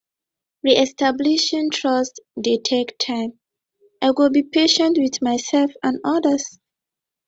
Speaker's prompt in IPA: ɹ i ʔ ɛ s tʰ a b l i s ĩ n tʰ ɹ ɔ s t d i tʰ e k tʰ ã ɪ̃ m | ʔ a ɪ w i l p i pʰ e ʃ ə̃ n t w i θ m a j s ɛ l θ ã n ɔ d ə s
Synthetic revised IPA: ɹ i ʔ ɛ s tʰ a b l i ʃ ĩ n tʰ ɹ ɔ s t d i tʰ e k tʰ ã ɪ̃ m | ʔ a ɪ w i l b i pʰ e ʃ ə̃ n t w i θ m a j s ɛ l f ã n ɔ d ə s